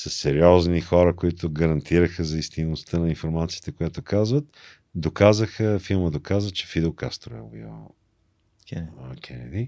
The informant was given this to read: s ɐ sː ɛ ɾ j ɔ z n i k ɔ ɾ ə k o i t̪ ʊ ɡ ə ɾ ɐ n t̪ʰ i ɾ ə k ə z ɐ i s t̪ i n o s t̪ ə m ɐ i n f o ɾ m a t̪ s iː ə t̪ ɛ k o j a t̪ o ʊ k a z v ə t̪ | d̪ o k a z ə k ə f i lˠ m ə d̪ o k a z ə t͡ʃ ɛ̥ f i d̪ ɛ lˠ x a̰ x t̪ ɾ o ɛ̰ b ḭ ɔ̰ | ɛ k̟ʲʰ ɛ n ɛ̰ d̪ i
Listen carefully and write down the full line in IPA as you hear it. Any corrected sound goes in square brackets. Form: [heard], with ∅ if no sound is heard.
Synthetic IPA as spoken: s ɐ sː ɛ ɾ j ɔ z n i [x] ɔ ɾ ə k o i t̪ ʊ ɡ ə ɾ ɐ n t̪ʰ i ɾ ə [x] ə z ɐ i s t̪ i n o s t̪ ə [n] ɐ i n f o ɾ m a t̪ s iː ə t̪ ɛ k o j a t̪ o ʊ k a z v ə t̪ | d̪ o k a z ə [x] ə f i lˠ m ə d̪ o k a z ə t͡ʃ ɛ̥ f i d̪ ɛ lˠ [k] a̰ [s] t̪ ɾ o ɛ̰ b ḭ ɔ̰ | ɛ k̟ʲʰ ɛ n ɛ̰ d̪ i